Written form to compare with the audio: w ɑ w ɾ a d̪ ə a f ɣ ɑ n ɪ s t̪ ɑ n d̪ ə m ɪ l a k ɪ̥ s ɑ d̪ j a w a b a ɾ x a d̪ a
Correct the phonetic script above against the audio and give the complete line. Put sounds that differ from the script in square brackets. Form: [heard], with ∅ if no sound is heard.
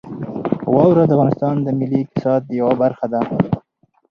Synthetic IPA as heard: w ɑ w ɾ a d̪ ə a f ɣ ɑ n ɪ s t̪ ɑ n d̪ ə m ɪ l [i] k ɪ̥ s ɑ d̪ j a w a b a ɾ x a d̪ a